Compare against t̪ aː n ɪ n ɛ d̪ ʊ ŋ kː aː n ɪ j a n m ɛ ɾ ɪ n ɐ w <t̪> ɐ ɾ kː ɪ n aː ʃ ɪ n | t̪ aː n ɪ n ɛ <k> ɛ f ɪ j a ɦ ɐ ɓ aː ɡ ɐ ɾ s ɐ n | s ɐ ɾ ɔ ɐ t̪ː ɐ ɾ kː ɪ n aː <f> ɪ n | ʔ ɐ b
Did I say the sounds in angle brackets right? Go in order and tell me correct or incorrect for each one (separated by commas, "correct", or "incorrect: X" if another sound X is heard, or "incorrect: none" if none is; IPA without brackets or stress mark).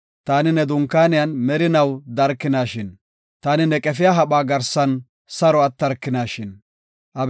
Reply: incorrect: d̪, incorrect: kʼ, incorrect: ʃ